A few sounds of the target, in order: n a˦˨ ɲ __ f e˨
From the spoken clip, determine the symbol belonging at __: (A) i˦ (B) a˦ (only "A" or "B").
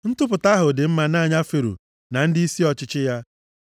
B